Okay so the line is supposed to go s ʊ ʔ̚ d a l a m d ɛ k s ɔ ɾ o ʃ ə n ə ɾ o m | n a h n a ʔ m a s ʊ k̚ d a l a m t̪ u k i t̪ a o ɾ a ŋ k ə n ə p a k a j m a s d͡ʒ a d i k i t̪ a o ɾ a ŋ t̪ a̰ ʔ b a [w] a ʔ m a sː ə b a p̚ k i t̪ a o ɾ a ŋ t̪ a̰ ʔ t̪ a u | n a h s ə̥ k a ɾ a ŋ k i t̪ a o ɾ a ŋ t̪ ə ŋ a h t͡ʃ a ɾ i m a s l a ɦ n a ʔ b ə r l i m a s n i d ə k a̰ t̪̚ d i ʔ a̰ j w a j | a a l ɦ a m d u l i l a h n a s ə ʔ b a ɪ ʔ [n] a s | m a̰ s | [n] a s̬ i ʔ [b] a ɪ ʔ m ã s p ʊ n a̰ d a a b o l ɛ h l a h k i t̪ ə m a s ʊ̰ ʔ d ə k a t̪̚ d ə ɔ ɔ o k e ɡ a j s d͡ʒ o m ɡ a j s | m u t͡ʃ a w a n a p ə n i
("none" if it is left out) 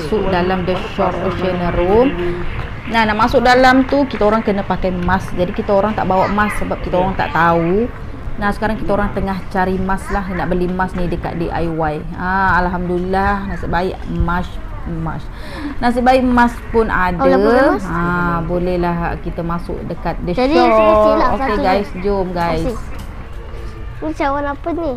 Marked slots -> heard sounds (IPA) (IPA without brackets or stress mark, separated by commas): w, m, n, b